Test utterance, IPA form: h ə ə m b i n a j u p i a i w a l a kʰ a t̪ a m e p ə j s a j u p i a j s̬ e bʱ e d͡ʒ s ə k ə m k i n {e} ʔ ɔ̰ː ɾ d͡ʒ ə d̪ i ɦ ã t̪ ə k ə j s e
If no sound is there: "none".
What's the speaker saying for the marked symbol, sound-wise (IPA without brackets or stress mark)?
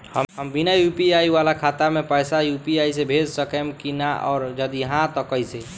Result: a